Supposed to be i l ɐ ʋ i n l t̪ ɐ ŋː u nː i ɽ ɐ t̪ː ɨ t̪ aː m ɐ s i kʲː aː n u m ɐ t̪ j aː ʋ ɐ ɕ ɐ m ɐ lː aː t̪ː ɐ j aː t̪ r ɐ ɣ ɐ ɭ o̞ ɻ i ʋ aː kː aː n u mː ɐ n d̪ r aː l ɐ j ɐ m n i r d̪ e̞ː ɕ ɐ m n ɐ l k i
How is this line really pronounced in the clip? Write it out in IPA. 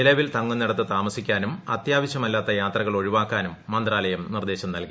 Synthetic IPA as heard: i l ɐ ʋ i l t̪ ɐ ŋː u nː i ɽ ɐ t̪ː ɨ t̪ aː m ɐ s i kʲː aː n u m ɐ t̪ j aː ʋ ɐ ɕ ɐ m ɐ lː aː t̪ː ɐ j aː t̪ r ɐ ɣ ɐ ɭ o̞ ɻ i ʋ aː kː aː n u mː ɐ n d̪ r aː l ɐ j ɐ m n i r d̪ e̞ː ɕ ɐ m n ɐ l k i

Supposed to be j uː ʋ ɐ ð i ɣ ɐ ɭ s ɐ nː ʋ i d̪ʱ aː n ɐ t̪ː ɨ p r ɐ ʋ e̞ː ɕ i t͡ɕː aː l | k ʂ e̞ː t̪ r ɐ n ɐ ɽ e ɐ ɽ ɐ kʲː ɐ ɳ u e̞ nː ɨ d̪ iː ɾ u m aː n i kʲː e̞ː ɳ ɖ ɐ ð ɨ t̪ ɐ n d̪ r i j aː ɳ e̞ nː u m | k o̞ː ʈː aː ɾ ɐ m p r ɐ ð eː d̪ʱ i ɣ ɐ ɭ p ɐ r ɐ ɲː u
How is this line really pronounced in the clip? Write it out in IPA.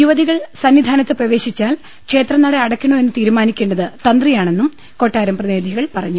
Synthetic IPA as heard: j u ʋ ɐ ð i ɣ ɐ ɭ s ɐ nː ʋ i d̪ʱ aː n ɐ t̪ː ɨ p r ɐ ʋ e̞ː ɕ i t͡ɕː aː l | k ʂ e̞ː t̪ r ɐ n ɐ ɽ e ɐ ɽ ɐ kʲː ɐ ɳ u e̞ nː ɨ t̪ iː ɾ u m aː n i kʲː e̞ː ɳ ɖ ɐ ð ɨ t̪ ɐ n d̪ r i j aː ɳ e̞ nː u m | k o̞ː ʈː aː ɾ ɐ m p r ɐ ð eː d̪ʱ i ɣ ɐ ɭ p ɐ r ɐ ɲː u

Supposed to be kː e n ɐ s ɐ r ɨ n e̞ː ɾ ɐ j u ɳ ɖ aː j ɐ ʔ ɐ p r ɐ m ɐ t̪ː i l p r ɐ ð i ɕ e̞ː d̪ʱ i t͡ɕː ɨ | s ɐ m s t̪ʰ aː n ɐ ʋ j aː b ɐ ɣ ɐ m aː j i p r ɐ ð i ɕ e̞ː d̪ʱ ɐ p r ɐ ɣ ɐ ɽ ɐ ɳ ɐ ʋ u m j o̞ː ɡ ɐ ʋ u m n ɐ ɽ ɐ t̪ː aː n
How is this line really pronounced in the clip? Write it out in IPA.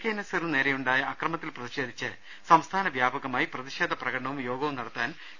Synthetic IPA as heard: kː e n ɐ s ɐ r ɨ n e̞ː ɾ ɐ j u ɳ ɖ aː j ɐ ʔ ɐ k r ɐ m ɐ t̪ː i l p r ɐ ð i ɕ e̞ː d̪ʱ i t͡ɕː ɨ | s ɐ m s t̪ʰ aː n ɐ ʋ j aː b ɐ ɣ ɐ m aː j i p r ɐ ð i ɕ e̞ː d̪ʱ ɐ p r ɐ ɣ ɐ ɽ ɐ ɳ ɐ ʋ u m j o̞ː ɡ ɐ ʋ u m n ɐ ɽ ɐ t̪ː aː n

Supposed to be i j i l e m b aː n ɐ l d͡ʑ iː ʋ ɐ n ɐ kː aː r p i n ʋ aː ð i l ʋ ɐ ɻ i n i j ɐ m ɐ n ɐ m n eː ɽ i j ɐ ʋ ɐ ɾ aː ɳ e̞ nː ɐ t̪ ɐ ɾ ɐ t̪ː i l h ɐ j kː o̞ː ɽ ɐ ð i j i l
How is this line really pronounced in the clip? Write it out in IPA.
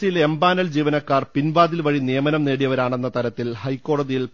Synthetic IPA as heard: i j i l e m b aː n ɐ l d͡ʑ iː ʋ ɐ n ɐ kː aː r p i n ʋ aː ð i l ʋ ɐ ɻ i n i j ɐ m ɐ n ɐ m n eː ɽ i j ɐ ʋ ɐ ɾ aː ɳ e̞ nː ɐ t̪ ɐ ɾ ɐ t̪ː i l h ɐ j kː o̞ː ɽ ɐ ð i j i l

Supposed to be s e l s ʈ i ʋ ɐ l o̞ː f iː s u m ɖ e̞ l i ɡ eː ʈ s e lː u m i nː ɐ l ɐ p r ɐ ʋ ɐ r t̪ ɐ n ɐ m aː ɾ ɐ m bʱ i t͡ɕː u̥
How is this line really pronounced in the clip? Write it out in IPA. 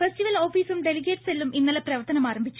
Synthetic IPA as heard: f e s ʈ i ʋ ɐ l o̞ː f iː s u m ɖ e̞ l i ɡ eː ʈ s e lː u m i nː ɐ l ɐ p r ɐ ʋ ɐ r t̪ ɐ n ɐ m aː ɾ ɐ m bʱ i t͡ɕː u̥

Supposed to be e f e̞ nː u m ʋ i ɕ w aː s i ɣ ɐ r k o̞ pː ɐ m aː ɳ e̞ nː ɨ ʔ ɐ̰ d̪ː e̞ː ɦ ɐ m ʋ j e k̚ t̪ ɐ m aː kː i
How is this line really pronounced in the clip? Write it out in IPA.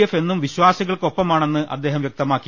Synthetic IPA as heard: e f e̞ nː u m ʋ i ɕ w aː s i ɣ ɐ ɭ k o̞ pː ɐ m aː ɳ e̞ nː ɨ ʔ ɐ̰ d̪ː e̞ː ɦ ɐ m ʋ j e k̚ t̪ ɐ m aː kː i

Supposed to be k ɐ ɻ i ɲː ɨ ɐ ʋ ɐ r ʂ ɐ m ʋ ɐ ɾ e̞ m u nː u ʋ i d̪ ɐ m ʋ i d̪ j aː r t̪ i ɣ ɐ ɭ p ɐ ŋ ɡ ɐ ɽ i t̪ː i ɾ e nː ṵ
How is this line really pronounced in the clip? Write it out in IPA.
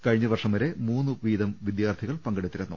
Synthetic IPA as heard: k ɐ ɻ i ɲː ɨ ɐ ʋ ɐ r ʂ ɐ m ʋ ɐ ɾ e̞ m uː nː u ʋ iː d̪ ɐ m ʋ i d̪ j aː r t̪ʰ i ɣ ɐ ɭ p ɐ ŋ ɡ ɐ ɽ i t̪ː i ɾ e nː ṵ

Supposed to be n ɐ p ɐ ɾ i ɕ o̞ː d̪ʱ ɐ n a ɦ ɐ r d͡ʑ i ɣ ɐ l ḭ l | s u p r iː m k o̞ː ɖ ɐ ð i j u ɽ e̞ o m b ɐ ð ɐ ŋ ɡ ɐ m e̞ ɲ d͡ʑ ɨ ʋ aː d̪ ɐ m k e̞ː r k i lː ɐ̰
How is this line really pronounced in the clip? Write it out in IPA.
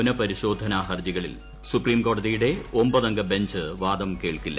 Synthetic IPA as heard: n ɐ p ɐ ɾ i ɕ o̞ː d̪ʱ ɐ n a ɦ ɐ r d͡ʑ i ɣ ɐ ɭ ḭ l | s u p r iː m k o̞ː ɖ ɐ ð i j u ɽ e̞ o m b ɐ ð ɐ ŋ ɡ ɐ b e̞ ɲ d͡ʑ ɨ ʋ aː d̪ ɐ m k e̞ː ɭ k i lː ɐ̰

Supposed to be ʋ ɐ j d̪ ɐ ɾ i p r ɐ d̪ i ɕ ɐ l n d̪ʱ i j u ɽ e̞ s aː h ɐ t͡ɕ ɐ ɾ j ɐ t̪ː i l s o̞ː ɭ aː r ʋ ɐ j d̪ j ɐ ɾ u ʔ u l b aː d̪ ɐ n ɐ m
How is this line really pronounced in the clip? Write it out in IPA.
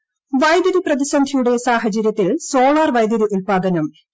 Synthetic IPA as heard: ʋ ɐ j d̪ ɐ ɾ i p r ɐ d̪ i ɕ ɐ n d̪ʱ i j u ɽ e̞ s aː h ɐ t͡ɕ ɐ ɾ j ɐ t̪ː i l s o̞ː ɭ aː r ʋ ɐ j d̪ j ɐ ɾ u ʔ u l p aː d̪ ɐ n ɐ m

